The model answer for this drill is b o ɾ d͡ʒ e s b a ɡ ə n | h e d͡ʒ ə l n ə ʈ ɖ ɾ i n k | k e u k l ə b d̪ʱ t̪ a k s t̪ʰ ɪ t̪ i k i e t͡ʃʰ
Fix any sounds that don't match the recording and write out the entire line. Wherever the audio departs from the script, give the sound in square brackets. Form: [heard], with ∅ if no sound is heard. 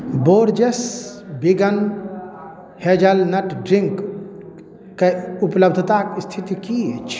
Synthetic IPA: b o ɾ d͡ʒ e s b [i] ɡ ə n | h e d͡ʒ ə l n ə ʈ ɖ ɾ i [ŋ] k | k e u [p] l ə b d̪ʱ t̪ a k s t̪ʰ [i] t̪ i k i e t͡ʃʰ